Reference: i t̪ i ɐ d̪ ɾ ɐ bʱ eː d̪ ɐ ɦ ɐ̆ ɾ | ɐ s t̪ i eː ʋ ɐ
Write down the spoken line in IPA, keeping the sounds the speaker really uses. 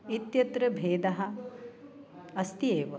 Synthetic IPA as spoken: i t̪ j ɐ t̪ ɾ ɐ bʱ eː d̪ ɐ ɦ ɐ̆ | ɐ s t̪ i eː ʋ ɐ